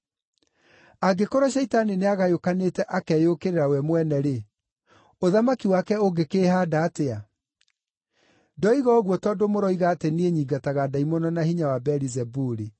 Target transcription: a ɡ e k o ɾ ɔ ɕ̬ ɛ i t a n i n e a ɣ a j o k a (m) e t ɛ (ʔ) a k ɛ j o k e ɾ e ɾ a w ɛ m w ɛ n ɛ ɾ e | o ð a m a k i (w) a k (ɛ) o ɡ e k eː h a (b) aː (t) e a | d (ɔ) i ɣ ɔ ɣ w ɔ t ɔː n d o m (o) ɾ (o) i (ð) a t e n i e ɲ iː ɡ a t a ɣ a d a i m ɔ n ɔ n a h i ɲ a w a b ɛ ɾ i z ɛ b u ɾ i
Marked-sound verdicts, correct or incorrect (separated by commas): incorrect, correct, correct, correct, incorrect, correct, correct, correct, incorrect, incorrect